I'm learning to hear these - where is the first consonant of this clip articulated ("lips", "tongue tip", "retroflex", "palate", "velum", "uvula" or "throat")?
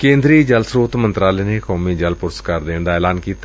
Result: velum